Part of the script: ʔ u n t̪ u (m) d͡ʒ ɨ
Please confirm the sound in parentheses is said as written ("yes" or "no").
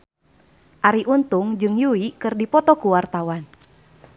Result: no